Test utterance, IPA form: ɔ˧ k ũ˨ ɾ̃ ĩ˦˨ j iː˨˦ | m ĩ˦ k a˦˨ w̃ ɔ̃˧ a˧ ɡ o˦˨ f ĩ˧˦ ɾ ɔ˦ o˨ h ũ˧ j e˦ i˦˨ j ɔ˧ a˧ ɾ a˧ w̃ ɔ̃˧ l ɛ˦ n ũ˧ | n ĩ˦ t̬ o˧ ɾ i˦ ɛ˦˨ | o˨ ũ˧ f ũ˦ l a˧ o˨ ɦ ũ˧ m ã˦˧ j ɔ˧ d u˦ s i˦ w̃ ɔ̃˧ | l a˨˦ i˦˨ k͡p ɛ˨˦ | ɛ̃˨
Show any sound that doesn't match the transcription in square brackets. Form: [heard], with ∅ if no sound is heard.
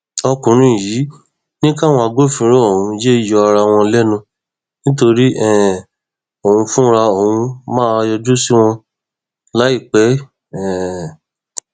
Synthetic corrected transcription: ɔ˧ k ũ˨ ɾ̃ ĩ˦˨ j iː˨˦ | [n] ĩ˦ k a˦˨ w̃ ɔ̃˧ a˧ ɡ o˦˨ f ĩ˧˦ ɾ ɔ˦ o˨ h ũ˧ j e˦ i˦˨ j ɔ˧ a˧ ɾ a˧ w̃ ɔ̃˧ l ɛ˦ n ũ˧ | n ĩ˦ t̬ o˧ ɾ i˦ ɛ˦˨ | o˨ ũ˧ f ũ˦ [ɾ] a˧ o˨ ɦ ũ˧ m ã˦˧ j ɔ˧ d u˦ s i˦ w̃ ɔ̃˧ | l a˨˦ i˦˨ k͡p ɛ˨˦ | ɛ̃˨